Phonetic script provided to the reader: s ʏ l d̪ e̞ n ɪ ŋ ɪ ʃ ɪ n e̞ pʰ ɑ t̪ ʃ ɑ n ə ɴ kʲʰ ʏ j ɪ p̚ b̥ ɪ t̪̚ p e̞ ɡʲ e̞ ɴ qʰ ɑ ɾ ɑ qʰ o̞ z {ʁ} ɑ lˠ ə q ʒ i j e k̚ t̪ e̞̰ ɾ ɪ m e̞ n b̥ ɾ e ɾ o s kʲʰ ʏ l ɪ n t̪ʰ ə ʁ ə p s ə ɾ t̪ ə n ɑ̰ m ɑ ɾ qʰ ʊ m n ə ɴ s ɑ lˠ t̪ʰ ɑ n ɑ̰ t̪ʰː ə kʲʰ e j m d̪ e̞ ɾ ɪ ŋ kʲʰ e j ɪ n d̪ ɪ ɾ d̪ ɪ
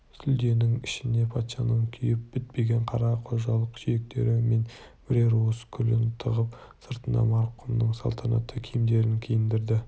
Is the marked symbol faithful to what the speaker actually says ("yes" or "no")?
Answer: no